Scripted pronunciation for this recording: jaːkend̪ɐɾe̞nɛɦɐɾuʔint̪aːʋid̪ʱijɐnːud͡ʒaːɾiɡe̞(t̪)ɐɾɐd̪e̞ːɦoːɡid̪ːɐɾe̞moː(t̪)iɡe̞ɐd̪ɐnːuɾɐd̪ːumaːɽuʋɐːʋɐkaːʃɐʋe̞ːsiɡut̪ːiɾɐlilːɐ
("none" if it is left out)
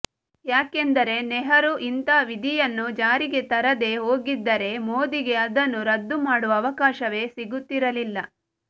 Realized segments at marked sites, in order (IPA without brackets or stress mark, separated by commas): t̪, d̪